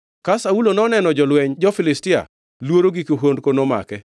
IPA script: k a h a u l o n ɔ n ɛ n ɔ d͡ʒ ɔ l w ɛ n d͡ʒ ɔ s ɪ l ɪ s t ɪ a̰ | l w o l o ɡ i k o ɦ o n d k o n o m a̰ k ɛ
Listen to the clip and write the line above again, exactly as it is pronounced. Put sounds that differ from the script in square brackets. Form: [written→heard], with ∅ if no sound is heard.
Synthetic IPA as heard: k a [h→s] a u l o n ɔ n ɛ n ɔ d͡ʒ ɔ l w ɛ [n→ɲ] d͡ʒ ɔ [s→f] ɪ l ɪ s t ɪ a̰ | l w o [l→ɾ] o ɡ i k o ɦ o n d k o n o m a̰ k ɛ